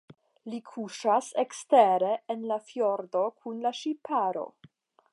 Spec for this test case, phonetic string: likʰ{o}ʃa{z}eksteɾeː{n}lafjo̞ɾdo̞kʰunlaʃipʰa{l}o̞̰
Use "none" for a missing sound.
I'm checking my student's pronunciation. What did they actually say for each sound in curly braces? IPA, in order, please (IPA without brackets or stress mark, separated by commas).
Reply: u, s, n, ɾ